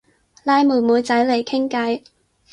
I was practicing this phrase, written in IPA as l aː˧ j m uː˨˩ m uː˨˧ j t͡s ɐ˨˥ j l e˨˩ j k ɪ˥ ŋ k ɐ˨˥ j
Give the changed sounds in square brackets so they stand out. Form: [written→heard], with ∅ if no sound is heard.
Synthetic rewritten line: l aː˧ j m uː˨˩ m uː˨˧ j t͡s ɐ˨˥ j l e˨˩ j [k→kʰ] ɪ˥ ŋ k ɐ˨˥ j